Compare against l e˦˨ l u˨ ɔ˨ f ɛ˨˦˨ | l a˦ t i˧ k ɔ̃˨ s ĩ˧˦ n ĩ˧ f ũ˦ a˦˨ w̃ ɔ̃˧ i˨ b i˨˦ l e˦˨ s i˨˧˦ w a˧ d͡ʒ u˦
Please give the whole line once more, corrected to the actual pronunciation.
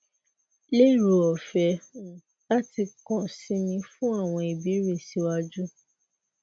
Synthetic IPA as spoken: l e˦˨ ɾ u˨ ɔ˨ f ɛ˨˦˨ | l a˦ t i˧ k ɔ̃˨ s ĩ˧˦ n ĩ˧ f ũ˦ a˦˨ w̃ ɔ̃˧ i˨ b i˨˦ ɾ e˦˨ s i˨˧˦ w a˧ d͡ʒ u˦

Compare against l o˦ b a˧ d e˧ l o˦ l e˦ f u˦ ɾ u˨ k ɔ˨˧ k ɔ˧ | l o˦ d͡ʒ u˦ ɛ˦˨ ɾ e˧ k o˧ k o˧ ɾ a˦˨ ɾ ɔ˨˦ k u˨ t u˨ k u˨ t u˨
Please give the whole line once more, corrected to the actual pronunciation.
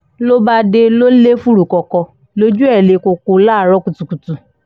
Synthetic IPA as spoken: l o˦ b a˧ d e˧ l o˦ l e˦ f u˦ ɾ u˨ k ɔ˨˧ k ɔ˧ | l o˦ d͡ʒ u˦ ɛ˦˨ l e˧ k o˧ k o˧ l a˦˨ ɾ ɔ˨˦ k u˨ t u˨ k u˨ t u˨

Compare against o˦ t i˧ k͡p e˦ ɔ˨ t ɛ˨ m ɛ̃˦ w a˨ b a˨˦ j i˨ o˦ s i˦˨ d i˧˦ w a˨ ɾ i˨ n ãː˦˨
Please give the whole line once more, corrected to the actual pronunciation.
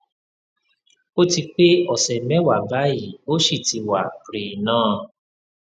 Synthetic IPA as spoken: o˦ t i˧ k͡p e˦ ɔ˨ s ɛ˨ m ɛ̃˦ w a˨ b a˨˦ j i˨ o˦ ʃ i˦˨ t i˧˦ w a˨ ɾ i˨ n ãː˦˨

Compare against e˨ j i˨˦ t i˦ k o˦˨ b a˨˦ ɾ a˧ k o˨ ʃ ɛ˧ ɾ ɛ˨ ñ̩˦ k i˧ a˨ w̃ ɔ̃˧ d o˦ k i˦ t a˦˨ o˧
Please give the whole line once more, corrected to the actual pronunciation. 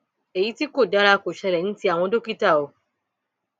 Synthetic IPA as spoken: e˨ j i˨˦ t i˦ k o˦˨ d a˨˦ ɾ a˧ k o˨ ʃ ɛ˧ ɾ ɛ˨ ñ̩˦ t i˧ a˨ w̃ ɔ̃˧ d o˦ k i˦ t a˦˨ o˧

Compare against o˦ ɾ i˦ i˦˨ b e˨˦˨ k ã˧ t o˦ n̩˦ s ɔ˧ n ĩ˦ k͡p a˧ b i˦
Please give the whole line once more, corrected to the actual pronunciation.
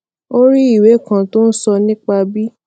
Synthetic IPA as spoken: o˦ ɾ i˦ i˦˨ w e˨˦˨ k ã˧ t o˦ n̩˦ s ɔ˧ n ĩ˦ k͡p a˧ b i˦

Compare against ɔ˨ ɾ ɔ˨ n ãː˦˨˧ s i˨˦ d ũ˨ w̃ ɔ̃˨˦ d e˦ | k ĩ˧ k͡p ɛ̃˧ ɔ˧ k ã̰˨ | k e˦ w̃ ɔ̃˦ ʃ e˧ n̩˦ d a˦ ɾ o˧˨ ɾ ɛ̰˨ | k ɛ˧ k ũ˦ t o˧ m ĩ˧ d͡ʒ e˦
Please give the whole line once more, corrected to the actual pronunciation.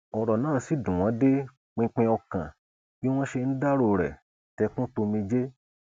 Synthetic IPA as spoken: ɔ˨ ɾ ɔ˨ n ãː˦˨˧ s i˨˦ d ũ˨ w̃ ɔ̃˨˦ d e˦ | k͡p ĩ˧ k͡p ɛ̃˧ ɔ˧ k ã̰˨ | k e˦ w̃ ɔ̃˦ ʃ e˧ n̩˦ d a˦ ɾ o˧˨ ɾ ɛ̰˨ | t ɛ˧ k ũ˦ t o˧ m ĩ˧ d͡ʒ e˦

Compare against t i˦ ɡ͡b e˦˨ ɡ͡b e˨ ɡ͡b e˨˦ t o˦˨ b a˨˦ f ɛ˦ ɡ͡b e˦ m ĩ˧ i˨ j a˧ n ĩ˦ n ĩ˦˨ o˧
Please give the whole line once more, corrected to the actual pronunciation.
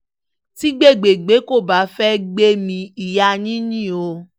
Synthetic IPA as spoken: t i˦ ɡ͡b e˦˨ ɡ͡b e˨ ɡ͡b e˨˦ k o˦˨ b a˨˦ f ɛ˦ ɡ͡b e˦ m ĩ˧ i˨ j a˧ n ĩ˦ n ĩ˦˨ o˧

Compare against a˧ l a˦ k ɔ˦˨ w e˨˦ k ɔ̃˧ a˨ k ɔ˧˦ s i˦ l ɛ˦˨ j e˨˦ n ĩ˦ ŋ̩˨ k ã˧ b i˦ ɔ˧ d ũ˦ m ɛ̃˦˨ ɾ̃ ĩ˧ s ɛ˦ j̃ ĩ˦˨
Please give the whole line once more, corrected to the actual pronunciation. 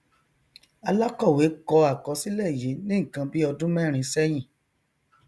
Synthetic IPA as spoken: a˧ l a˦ k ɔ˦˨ w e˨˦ k ɔ˧ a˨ k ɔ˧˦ s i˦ l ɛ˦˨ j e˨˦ n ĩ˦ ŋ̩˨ k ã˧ b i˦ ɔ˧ d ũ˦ m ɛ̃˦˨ ɾ̃ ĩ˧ s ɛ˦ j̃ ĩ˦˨

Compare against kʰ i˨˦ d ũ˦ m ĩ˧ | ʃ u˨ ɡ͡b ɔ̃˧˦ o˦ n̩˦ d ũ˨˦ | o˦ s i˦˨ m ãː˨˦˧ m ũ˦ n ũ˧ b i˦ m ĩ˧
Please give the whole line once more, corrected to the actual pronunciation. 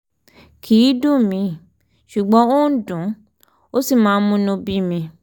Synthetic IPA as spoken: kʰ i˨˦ d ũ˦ m ĩ˧ | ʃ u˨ ɡ͡b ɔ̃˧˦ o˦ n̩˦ d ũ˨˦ | o˦ s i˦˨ m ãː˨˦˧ m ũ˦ n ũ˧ b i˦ m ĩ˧

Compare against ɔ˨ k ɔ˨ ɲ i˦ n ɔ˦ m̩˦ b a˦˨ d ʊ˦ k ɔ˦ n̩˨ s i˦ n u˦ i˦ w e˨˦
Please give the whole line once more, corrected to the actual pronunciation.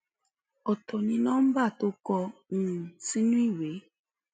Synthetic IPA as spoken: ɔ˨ t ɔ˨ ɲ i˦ n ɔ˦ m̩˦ b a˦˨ t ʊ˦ k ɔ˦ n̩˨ s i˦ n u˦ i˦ w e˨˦

